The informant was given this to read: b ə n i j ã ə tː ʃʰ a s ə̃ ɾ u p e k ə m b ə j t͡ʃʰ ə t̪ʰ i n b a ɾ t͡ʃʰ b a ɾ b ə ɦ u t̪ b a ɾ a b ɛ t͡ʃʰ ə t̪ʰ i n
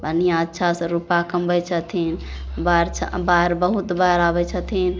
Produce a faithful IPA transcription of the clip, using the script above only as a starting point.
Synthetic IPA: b ə n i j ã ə tː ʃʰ a s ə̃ ɾ u p a k ə m b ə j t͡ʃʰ ə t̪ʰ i n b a ɾ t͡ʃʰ b a ɾ b ə ɦ u t̪ b a ɾ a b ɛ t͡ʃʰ ə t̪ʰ i n